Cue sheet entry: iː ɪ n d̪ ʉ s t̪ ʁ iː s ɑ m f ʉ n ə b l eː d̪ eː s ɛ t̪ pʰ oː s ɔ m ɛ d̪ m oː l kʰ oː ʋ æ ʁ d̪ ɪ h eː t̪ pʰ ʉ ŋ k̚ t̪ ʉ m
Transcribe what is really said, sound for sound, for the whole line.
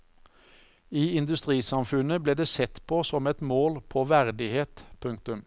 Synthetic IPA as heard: iː ɪ n d̪ ʉ s t̪ ʁ iː s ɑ m f ʉ n ə b l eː d̪ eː s ɛ t̪ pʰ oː s ɔ m ɛ t̪ m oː l pʰ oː ʋ æ ʁ d̪ ɪ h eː t̪ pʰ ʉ ŋ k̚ t̪ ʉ m